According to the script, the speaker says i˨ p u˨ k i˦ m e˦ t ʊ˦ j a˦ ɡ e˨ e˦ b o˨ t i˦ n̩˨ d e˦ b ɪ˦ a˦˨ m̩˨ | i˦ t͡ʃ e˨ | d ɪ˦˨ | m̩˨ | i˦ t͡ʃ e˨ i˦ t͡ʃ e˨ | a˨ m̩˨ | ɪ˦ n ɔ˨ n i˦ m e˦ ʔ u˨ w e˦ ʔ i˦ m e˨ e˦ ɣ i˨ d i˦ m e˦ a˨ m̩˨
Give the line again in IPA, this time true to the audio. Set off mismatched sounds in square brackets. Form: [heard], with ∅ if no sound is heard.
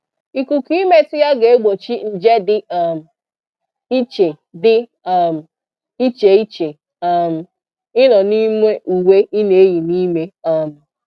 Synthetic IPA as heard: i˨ [k] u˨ k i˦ m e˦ t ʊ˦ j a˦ ɡ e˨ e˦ [ɡ͡b] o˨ [t͡ʃ] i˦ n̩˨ [d͡ʒ] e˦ [d] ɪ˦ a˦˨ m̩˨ | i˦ t͡ʃ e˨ | d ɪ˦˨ | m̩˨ | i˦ t͡ʃ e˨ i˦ t͡ʃ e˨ | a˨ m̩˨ | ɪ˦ n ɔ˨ n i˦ m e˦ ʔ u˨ w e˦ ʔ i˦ [n] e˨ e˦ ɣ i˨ [n] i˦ m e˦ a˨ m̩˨